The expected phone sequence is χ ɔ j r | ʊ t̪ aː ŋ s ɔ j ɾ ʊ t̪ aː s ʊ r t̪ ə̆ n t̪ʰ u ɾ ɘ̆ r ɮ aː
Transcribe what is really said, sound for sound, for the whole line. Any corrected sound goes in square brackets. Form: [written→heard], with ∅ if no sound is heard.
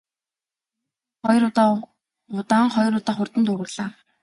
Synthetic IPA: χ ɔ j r | ʊ t̪ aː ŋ [s→χ] ɔ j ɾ ʊ t̪ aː [s→χ] ʊ r t̪ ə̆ n [t̪ʰ→t̪] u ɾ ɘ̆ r ɮ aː